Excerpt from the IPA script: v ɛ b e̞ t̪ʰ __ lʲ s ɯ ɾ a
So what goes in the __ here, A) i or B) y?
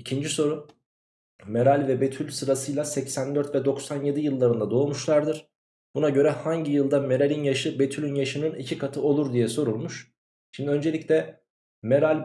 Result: B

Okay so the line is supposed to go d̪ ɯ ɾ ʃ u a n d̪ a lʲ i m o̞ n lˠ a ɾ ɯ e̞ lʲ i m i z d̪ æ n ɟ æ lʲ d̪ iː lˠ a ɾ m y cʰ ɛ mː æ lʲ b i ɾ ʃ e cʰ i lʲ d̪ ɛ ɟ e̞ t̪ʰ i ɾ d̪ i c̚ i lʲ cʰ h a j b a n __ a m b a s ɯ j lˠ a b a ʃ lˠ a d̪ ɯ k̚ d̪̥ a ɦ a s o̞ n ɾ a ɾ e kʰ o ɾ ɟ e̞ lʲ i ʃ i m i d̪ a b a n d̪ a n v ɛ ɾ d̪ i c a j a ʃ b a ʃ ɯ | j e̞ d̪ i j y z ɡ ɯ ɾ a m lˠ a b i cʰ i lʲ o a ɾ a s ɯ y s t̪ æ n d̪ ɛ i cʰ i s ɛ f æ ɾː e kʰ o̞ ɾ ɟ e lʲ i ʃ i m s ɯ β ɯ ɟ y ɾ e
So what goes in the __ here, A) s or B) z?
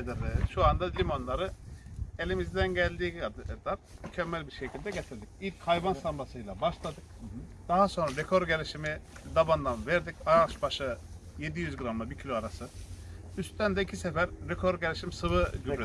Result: A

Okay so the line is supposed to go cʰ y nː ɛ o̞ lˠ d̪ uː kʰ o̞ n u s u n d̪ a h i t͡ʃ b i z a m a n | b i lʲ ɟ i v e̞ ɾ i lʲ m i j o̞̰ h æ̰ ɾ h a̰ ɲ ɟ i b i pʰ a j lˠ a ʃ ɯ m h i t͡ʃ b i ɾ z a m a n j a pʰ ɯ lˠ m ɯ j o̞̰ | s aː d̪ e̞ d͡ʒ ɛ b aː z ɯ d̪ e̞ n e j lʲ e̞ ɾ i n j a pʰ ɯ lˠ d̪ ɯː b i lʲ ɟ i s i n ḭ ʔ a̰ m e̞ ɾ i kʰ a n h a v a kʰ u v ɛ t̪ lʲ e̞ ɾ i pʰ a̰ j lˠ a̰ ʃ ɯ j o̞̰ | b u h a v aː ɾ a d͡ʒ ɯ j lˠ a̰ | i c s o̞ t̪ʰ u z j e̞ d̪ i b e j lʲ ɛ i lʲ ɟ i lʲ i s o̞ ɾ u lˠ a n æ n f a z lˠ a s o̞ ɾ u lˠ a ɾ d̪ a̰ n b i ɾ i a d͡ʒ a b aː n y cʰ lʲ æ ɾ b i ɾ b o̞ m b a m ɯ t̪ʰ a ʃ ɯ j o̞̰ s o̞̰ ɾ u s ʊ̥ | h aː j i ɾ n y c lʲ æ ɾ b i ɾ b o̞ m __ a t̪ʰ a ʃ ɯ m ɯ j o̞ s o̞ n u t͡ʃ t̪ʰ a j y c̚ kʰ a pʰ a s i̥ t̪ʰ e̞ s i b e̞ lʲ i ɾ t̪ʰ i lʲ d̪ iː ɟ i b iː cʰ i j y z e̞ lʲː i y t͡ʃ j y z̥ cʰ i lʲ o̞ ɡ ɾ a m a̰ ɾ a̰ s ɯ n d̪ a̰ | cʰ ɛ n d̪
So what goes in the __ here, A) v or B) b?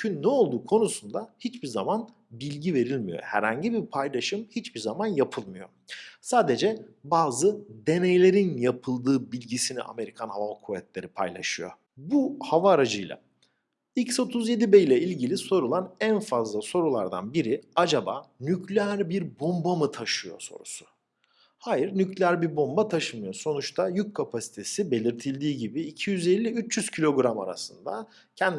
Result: B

